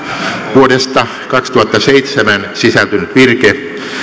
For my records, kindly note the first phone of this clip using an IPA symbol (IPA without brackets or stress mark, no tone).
ʋ